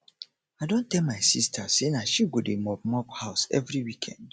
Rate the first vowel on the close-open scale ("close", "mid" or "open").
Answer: open